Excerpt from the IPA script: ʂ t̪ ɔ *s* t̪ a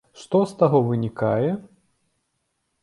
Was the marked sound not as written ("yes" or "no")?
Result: no